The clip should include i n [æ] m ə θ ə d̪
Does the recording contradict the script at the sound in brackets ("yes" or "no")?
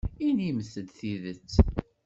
yes